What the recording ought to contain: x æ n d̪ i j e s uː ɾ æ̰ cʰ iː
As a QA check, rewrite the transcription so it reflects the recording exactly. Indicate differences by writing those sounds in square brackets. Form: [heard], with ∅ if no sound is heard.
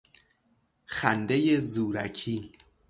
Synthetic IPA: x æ n d̪ [e] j e [z] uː ɾ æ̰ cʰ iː